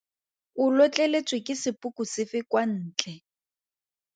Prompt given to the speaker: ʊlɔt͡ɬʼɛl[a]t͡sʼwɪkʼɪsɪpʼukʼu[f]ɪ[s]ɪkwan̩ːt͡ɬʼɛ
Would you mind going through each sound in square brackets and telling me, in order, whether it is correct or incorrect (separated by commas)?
incorrect, incorrect, incorrect